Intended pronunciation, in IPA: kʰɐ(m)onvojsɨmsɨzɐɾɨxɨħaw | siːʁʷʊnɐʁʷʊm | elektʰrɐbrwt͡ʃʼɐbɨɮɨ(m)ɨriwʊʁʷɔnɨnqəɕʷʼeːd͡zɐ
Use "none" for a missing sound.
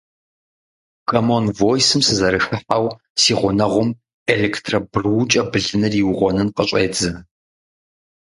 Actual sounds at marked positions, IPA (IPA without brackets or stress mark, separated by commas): m, n